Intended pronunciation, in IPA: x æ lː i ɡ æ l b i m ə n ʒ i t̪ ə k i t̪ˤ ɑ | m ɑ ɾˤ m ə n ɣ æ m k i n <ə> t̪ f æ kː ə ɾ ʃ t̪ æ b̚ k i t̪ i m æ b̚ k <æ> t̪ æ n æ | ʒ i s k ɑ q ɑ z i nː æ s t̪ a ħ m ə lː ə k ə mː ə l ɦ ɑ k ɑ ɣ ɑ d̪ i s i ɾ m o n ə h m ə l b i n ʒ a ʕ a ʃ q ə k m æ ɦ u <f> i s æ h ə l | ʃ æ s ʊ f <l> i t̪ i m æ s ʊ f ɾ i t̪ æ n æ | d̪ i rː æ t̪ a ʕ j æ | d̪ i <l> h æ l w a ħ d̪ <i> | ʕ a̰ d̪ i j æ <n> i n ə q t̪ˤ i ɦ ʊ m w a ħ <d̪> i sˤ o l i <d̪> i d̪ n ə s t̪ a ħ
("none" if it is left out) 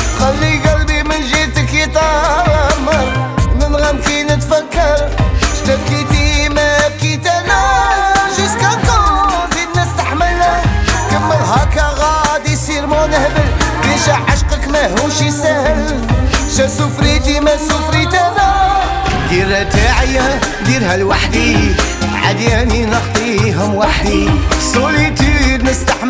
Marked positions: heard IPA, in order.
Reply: ə, i, ʃ, ɾ, ɾ, i, n, d̪, t̪

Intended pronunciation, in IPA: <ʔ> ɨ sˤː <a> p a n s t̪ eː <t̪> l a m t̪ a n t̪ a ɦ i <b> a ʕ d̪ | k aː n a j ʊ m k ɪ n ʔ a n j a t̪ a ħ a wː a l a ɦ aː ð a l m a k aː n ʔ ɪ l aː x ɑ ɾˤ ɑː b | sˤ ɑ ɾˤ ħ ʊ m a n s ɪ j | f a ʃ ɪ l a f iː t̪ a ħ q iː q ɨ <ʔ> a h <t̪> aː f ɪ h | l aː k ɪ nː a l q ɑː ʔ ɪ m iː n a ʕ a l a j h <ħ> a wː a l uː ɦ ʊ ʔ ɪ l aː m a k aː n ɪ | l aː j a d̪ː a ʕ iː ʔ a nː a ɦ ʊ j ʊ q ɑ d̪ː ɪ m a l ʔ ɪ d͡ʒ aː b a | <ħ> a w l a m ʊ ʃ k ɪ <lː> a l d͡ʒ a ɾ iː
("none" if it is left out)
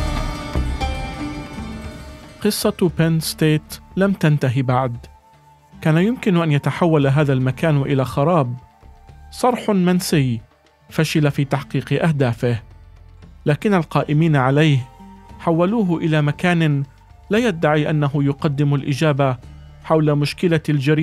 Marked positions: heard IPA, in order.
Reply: q, ɑ, t̪, b, ʔ, d̪, ħ, ħ, l

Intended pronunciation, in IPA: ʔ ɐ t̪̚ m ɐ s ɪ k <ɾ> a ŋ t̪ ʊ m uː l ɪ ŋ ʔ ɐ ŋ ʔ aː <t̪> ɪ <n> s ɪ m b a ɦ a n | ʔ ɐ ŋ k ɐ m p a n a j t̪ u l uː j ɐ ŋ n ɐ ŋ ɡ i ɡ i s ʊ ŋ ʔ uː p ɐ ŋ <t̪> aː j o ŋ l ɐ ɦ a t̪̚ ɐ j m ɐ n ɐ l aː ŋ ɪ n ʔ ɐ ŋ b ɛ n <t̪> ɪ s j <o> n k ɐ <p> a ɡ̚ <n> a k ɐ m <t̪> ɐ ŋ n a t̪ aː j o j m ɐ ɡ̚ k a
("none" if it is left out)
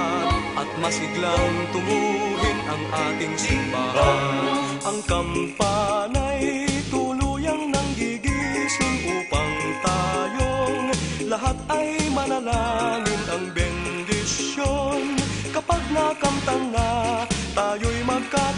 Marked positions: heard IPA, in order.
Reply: l, t̪, ŋ, t̪, d̪, o, p, n, t̪

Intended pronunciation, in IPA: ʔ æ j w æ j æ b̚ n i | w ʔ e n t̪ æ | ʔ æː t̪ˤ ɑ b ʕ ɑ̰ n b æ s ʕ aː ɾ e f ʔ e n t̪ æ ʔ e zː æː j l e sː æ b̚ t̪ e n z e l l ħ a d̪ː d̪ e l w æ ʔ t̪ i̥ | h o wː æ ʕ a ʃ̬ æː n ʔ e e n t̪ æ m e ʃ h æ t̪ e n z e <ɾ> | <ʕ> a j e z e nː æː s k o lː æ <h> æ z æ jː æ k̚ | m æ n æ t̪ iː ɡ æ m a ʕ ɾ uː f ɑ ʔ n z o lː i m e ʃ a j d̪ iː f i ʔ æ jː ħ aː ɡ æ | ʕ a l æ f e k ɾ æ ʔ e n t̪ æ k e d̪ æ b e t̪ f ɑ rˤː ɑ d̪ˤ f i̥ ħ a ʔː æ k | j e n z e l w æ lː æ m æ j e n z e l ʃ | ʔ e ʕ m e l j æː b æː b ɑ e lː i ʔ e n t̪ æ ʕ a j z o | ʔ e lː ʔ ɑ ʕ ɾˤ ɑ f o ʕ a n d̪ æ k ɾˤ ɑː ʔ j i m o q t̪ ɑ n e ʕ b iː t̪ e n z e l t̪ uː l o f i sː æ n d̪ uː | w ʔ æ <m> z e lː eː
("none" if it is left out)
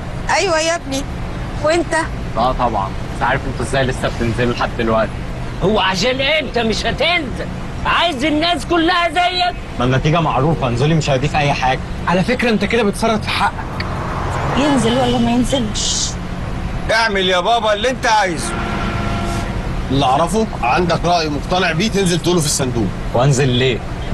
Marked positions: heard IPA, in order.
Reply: l, ʕ, h, n

